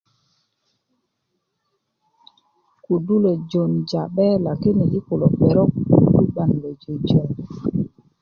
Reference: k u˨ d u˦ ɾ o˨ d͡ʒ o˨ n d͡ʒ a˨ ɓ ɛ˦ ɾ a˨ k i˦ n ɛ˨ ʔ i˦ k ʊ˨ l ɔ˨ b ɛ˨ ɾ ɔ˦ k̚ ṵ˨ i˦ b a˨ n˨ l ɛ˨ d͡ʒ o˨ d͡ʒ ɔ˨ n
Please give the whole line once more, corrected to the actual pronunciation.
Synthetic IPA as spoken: k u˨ d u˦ l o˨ d͡ʒ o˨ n d͡ʒ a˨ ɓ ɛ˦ l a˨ k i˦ n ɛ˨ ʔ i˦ k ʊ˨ l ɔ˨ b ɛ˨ ɾ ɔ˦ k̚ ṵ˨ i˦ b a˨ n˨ l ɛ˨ d͡ʒ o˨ d͡ʒ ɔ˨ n